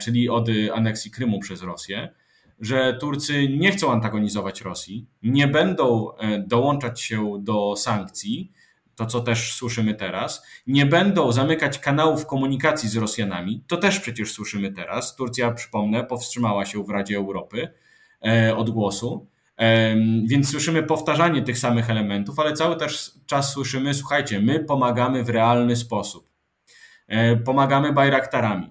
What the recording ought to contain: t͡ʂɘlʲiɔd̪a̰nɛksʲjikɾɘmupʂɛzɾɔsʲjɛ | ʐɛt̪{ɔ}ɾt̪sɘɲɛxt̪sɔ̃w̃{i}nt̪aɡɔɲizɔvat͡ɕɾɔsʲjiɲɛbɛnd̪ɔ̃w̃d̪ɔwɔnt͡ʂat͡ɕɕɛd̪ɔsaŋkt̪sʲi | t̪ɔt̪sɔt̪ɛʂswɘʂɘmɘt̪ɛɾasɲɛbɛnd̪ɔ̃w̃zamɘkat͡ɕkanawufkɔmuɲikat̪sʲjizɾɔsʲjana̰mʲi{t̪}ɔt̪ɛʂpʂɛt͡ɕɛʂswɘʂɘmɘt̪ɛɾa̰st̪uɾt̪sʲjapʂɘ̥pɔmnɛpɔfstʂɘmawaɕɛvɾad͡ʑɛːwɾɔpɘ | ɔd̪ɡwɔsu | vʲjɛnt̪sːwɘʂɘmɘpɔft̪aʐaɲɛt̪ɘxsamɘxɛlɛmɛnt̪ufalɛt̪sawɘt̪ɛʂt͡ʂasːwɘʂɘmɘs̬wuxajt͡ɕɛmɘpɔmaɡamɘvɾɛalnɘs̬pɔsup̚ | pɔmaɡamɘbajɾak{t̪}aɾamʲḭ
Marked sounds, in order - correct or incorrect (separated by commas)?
incorrect, incorrect, correct, correct